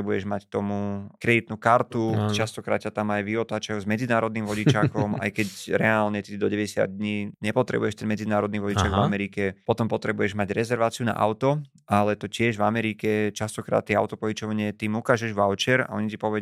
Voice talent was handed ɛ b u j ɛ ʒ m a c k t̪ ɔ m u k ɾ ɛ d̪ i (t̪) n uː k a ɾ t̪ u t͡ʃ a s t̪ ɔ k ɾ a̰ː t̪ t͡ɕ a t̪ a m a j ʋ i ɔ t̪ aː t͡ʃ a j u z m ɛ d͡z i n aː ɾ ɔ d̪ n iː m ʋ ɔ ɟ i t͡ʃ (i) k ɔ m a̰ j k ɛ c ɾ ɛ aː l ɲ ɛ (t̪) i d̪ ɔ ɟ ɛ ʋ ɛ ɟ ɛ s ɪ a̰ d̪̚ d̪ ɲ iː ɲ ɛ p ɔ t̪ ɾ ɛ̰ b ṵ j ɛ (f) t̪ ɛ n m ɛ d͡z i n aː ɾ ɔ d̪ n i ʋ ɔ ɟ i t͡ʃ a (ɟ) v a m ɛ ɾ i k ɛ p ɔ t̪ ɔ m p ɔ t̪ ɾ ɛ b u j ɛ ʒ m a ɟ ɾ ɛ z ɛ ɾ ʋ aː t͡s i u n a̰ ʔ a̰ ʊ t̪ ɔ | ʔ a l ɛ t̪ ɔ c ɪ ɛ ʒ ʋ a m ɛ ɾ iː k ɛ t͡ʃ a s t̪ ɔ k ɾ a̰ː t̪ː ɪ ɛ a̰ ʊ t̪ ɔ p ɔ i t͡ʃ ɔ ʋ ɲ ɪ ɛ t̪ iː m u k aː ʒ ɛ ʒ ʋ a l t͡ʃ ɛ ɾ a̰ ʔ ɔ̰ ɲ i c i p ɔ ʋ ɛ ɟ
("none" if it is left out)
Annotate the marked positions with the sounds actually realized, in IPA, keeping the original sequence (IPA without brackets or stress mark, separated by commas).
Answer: t̪, a, t̪, ʃ, ɡ